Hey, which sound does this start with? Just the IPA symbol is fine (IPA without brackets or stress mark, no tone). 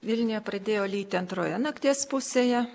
ʋʲ